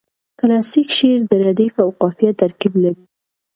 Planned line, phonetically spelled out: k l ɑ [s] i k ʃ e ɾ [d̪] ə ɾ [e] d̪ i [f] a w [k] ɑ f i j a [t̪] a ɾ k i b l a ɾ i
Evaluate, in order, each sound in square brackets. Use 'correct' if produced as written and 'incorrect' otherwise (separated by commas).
correct, correct, incorrect, correct, incorrect, correct